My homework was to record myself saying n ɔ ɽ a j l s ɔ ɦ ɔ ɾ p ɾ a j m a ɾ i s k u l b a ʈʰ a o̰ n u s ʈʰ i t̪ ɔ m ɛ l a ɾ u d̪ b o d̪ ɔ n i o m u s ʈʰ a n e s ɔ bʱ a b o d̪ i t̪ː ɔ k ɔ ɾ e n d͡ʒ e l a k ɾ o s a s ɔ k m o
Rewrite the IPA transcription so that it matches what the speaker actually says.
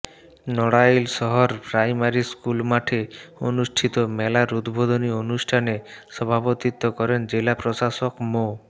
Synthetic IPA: n ɔ ɽ a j l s ɔ ɦ ɔ ɾ p ɾ a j m a ɾ i s k u l m a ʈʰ e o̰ n u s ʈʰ i t̪ ɔ m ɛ l a ɾ u d̪ b o d̪ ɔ n i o n u s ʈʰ a n e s ɔ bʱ a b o t̪ i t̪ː ɔ k ɔ ɾ e n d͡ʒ e l a p ɾ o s a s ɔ k m o